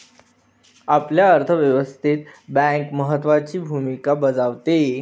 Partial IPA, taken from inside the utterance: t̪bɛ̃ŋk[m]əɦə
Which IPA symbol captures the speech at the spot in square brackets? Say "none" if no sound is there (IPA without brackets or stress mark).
m